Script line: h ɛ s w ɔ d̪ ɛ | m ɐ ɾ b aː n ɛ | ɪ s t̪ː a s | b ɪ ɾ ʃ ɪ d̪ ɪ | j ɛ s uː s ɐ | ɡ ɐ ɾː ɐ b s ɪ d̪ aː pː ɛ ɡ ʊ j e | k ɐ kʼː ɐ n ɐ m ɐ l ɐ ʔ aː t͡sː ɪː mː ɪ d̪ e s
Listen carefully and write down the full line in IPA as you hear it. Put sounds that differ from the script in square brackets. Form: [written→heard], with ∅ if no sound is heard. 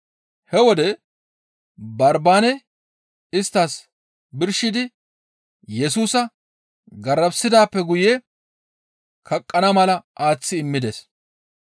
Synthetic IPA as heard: h ɛ [s→∅] w ɔ d̪ ɛ | [m→b] ɐ ɾ b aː n ɛ | ɪ s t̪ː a s | b ɪ ɾ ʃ ɪ d̪ ɪ | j ɛ s uː s ɐ | ɡ ɐ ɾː ɐ b s ɪ d̪ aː pː ɛ ɡ ʊ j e | k ɐ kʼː ɐ n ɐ m ɐ l ɐ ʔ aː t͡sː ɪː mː ɪ d̪ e s